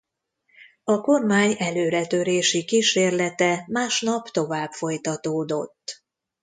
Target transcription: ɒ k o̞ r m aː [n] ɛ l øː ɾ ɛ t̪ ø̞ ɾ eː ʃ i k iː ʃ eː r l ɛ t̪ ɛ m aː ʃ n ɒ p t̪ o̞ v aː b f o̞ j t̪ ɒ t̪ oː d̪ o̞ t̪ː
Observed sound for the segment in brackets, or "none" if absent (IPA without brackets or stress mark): ɲ